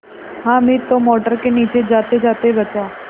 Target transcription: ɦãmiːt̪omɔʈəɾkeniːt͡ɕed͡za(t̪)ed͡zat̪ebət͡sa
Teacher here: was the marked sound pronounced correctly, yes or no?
yes